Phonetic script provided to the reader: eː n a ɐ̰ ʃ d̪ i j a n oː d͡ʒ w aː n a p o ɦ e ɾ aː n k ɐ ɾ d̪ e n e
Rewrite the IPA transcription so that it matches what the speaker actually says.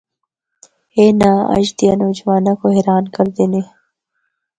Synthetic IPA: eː n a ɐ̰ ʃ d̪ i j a n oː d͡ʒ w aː n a k o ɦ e ɾ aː n k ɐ ɾ d̪ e n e